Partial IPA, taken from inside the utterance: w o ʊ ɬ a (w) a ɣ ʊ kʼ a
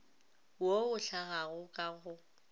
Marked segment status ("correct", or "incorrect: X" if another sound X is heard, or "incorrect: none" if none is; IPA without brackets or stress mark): incorrect: ɣ